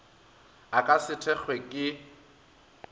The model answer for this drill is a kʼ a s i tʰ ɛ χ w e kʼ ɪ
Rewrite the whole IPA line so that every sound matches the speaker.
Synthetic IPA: a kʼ a s ɪ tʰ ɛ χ w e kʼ ɪ

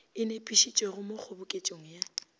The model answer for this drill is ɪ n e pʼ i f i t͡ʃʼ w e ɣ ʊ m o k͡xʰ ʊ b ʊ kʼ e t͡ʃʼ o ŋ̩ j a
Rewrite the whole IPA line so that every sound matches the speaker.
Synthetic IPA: ɪ n e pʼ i ʃ i t͡ʃʼ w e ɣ ʊ m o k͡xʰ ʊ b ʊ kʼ e t͡ʃʼ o ŋ̩ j a

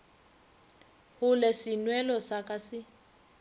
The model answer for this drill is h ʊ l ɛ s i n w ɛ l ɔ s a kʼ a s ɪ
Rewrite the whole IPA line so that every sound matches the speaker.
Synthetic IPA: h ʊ l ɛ s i n w ɛ l ɔ s a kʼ a s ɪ

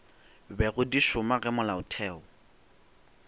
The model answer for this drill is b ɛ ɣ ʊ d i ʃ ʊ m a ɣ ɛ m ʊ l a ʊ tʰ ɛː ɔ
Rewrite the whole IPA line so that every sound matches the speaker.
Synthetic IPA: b ɛ ɣ ʊ d i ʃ ʊ m a ɣ ɛ m ʊ l a ʊ tʰ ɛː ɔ

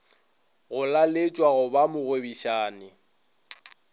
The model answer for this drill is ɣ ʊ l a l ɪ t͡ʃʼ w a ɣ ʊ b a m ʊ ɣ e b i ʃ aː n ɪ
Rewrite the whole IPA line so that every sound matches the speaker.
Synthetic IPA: ɣ ʊ l a l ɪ t͡ʃʼ w a ɣ ʊ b a m ʊ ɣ e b i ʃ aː n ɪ

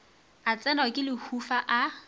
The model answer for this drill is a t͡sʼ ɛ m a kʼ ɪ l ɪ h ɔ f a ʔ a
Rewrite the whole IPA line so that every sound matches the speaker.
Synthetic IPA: a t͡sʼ ɛ n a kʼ ɪ l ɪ h u f a ʔ a

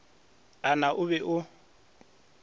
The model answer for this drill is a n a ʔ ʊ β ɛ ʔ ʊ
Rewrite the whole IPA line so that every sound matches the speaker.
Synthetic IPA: a n a ʔ ʊ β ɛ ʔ ʊ

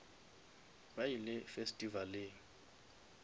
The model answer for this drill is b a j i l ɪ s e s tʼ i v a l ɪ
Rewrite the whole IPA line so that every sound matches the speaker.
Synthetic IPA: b a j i l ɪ f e s tʼ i v a l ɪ

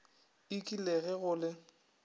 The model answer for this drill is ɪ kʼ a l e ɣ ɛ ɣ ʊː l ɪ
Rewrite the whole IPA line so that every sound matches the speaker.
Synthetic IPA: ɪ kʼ i l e ɣ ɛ ɣ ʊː l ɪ

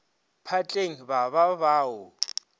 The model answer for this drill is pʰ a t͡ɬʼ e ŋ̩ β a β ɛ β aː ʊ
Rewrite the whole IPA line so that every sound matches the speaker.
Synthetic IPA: pʰ a t͡ɬʼ e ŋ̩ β a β a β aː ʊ

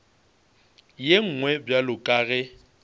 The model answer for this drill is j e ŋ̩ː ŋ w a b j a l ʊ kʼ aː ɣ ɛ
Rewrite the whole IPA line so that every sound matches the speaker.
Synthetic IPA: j e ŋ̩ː ŋ w ɛ b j a l ʊ kʼ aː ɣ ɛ

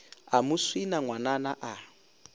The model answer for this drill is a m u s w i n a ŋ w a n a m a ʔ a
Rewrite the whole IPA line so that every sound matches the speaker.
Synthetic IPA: a m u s w i n a ŋ w a n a n a ʔ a

